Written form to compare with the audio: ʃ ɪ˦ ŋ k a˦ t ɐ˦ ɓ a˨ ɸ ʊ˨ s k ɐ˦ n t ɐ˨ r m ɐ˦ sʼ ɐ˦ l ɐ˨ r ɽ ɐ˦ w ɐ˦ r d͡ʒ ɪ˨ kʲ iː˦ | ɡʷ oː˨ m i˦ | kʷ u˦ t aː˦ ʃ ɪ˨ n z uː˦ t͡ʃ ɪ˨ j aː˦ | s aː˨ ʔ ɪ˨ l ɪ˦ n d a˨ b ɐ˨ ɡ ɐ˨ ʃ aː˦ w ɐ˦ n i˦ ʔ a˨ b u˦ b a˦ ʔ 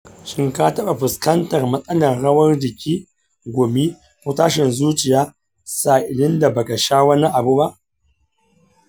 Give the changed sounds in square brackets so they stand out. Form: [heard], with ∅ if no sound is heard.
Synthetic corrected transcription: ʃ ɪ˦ ŋ k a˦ t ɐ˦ ɓ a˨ ɸ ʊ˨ s k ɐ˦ n t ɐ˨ r m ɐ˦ sʼ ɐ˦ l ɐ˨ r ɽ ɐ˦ w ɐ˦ r d͡ʒ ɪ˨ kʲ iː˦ | ɡʷ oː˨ m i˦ | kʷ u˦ t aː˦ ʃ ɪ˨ n z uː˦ t͡ʃ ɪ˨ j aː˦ | s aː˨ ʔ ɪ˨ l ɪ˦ n d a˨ b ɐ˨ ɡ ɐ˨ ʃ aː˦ w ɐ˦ n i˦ ʔ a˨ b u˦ b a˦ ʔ

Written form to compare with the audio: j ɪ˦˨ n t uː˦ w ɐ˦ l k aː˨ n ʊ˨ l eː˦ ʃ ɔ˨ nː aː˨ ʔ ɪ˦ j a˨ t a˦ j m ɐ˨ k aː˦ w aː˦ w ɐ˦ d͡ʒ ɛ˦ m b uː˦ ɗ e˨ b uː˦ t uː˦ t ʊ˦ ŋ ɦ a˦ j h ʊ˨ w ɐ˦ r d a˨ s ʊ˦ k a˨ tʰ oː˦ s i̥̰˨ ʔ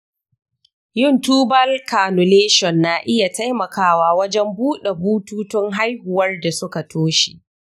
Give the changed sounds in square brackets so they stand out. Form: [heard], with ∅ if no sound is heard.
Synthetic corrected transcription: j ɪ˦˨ n t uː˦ [b] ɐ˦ l k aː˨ n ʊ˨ l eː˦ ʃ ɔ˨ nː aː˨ ʔ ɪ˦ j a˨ t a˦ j m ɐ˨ k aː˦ w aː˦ w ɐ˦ d͡ʒ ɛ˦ m b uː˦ ɗ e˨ b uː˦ t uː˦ t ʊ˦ ŋ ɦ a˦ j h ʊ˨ w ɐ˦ r d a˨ s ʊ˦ k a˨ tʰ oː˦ [ʃ] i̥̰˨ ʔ

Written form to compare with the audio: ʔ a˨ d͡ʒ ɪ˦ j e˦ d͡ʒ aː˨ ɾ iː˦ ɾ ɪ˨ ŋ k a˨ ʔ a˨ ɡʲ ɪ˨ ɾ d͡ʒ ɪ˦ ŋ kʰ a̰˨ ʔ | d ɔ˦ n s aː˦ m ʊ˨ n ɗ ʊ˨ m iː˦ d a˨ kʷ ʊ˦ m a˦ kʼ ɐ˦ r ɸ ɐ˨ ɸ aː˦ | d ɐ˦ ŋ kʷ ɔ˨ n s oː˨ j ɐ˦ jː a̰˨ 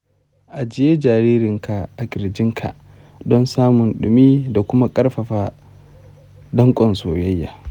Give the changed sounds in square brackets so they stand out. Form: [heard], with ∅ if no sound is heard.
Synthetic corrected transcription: ʔ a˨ d͡ʒ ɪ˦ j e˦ d͡ʒ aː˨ ɾ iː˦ ɾ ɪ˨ ŋ k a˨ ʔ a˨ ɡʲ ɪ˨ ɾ d͡ʒ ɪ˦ ŋ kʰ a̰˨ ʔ | d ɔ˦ n s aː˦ m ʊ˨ n ɗ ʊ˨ m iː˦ d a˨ kʷ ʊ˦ m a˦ kʼ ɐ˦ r ɸ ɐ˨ ɸ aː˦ | d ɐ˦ ŋ [kʷʼ] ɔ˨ n s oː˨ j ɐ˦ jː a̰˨

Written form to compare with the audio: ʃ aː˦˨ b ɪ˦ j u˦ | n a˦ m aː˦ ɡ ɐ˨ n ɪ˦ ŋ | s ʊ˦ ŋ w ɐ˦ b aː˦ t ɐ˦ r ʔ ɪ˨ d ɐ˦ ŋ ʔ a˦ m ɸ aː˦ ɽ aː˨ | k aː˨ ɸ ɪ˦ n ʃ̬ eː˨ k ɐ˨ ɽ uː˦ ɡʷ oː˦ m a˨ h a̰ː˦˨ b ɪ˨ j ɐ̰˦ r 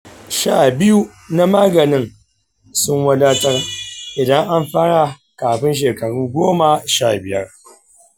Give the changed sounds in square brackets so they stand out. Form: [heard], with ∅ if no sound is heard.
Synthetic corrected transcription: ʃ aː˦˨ b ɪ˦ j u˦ | n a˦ m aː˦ ɡ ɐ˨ n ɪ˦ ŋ | s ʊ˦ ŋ w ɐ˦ [d] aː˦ t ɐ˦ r ʔ ɪ˨ d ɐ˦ ŋ ʔ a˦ m ɸ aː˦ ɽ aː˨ | k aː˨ ɸ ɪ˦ n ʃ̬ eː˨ k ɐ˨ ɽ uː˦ ɡʷ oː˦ m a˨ [ʃ] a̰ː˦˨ b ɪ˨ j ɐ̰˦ r

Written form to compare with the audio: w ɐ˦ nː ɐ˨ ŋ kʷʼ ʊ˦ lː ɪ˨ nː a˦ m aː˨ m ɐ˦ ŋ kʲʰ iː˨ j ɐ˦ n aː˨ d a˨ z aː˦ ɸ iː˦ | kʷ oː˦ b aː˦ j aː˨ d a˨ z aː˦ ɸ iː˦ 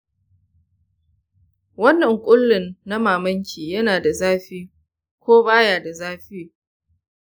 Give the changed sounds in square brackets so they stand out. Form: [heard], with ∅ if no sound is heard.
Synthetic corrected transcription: w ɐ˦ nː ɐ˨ ŋ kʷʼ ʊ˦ lː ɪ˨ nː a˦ m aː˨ m ɐ˦ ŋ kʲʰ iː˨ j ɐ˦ n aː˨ d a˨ z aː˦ ɸ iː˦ | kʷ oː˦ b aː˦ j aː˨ d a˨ z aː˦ ɸ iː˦

